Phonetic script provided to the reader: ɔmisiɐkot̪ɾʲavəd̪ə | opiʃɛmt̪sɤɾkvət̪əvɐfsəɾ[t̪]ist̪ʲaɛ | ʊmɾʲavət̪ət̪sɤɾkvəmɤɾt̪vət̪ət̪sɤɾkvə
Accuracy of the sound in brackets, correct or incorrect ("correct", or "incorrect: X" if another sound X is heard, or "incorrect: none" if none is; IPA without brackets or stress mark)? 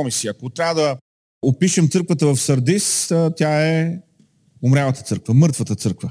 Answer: incorrect: d̪